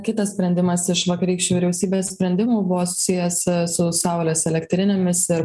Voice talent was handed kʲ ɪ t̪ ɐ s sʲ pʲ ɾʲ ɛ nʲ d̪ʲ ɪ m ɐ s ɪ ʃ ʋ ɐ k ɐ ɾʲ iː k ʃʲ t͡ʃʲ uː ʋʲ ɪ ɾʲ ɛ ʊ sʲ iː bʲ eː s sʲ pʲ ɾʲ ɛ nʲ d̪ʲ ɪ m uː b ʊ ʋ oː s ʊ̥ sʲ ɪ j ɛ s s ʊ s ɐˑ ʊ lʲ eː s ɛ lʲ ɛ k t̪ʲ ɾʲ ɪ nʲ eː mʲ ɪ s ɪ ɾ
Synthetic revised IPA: kʲ ɪ t̪ ɐ s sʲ pʲ ɾʲ ɛ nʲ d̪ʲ ɪ m ɐ s ɪ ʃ ʋ ɐ k ɐ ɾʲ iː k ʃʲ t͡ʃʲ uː ʋʲ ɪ ɾʲ ɛ ʊ sʲ iː bʲ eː s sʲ pʲ ɾʲ ɛ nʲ d̪ʲ ɪ m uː b ʊ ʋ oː s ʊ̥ sʲ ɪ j ɛ s s ʊ s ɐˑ ʊ lʲ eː s ɛ lʲ ɛ k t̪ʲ ɾʲ ɪ nʲ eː mʲ ɪ s ɪ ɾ